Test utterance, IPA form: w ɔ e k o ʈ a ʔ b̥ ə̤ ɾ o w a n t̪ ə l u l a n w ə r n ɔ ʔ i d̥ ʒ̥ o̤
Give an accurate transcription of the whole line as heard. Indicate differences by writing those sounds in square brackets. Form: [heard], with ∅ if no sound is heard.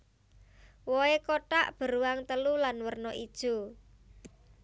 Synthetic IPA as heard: w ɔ e k o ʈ a ʔ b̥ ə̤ ɾ [u] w a [ŋ] t̪ ə l u l a n w ə r n ɔ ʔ i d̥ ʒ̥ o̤